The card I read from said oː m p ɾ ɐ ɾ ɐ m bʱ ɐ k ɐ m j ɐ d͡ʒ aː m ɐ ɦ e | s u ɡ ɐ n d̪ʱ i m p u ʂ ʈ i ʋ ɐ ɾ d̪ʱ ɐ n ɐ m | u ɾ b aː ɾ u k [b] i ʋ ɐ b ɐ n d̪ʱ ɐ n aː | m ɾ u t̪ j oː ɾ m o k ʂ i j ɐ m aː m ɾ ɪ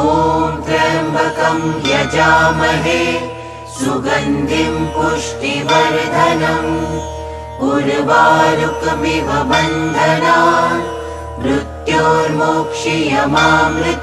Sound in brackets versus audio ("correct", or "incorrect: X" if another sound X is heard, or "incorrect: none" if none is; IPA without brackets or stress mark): incorrect: m